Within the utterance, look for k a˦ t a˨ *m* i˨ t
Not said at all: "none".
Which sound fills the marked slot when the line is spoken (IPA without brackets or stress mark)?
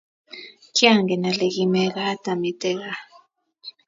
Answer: m